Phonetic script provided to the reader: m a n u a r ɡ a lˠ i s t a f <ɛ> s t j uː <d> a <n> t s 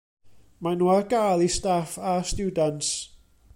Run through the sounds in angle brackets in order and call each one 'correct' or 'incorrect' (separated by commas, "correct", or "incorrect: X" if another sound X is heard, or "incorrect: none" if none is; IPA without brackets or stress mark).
incorrect: a, correct, correct